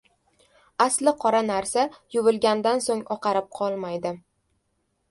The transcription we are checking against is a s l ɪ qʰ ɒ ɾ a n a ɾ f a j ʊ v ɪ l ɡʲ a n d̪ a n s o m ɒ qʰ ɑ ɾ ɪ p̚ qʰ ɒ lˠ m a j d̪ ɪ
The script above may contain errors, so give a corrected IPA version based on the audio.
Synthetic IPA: a s l ɪ qʰ ɒ ɾ a n a ɾ s a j ʊ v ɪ l ɡʲ a n d̪ a n s o ŋ ɒ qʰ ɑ ɾ ɪ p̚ qʰ ɒ lˠ m a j d̪ ɪ

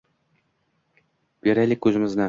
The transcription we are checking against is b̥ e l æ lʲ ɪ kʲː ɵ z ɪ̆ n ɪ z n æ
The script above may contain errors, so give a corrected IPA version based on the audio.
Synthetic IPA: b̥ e ɾ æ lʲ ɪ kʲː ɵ z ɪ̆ m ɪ z n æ

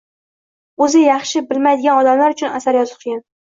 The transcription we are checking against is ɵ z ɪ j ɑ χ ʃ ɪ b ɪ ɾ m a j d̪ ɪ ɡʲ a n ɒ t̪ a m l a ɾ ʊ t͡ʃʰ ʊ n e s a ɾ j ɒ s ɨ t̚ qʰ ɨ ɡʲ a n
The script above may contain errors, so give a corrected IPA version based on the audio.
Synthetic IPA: ɵ z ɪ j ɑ χ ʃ ɪ b ɪ l m a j d̪ ɪ ɡʲ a n ɒ d̪ a m l a ɾ ʊ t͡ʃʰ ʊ n a s a ɾ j ɒ z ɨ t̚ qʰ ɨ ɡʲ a n

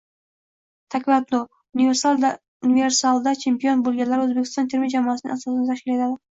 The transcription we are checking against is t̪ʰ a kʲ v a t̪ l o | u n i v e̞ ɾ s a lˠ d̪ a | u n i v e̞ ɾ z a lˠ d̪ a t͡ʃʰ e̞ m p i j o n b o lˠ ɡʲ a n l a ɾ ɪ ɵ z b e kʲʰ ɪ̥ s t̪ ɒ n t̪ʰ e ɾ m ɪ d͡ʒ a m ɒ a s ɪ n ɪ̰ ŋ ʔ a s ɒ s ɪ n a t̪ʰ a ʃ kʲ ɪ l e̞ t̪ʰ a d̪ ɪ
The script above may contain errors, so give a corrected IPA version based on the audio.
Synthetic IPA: t̪ʰ a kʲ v a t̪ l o | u n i v e̞ ɾ s a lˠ d̪ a | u n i v e̞ ɾ s a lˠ d̪ a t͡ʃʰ e̞ m p i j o n b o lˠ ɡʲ a n l a ɾ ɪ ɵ z b e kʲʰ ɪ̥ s t̪ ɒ n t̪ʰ e ɾ m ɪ d͡ʒ a m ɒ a s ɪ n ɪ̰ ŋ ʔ a s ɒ s ɪ n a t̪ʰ a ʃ kʲ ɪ l e̞ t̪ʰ a d̪ ɪ

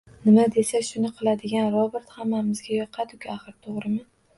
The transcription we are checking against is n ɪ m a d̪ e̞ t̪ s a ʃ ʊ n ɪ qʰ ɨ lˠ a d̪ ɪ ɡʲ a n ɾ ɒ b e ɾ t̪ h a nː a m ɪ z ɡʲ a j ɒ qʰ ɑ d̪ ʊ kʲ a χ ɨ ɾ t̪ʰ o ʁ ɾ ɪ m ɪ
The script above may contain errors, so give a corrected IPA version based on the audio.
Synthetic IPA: n ɪ m a d̪ e̞ s a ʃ ʊ n ɪ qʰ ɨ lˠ a d̪ ɪ ɡʲ a n ɾ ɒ b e ɾ t̪ h a mː a m ɪ z ɡʲ a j ɒ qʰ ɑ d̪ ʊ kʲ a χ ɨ ɾ t̪ʰ o ʁ ɾ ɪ m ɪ

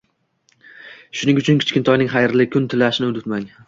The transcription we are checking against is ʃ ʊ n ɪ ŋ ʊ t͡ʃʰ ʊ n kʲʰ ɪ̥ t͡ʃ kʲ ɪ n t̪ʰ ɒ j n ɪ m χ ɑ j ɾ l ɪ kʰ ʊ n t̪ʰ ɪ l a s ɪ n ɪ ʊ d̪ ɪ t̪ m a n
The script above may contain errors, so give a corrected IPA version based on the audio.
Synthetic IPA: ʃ ʊ n ɪ ŋ ʊ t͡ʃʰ ʊ n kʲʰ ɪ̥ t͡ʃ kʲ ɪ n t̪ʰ ɒ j n ɪ ŋ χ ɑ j ɾ l ɪ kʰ ʊ n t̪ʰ ɪ l a ʃ ɪ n ɪ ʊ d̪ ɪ t̪ m a ŋ

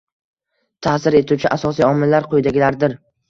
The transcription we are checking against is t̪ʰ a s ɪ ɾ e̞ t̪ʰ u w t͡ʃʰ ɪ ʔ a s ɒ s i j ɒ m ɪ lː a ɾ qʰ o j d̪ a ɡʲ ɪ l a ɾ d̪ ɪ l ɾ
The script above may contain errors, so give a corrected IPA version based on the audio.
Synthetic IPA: t̪ʰ a s ɪ ɾ e̞ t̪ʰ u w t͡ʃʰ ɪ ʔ a s ɒ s i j ɒ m ɪ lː a ɾ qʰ o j d̪ a ɡʲ ɪ l a ɾ d̪ ɪ ɾ

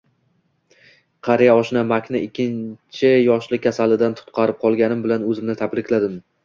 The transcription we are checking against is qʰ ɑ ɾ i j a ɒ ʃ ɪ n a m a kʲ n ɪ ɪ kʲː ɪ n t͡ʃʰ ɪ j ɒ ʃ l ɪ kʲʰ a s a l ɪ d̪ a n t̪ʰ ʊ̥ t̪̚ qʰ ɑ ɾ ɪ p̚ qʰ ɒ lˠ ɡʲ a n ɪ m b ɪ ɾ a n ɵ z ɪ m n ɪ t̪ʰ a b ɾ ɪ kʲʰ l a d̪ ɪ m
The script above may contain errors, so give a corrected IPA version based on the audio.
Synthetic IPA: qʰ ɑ ɾ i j a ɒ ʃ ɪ n a m a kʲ n ɪ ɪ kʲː ɪ n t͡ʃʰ ɪ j ɒ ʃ l ɪ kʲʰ a s a l ɪ d̪ a n t̪ʰ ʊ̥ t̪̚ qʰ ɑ ɾ ɪ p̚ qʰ ɒ lˠ ɡʲ a n ɪ m b ɪ l a n ɵ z ɪ m n ɪ t̪ʰ a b ɾ ɪ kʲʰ l a d̪ ɪ m

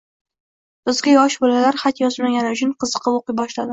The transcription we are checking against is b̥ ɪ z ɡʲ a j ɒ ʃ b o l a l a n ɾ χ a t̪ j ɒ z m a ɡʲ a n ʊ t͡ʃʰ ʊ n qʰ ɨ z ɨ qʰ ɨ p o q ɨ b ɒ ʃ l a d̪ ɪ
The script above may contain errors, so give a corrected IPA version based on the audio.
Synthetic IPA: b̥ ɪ z ɡʲ a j ɒ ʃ b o l a l a ɾ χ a t̪ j ɒ z m a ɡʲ a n ʊ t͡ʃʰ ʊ n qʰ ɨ z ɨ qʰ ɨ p o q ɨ b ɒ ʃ l a d̪ ɪ

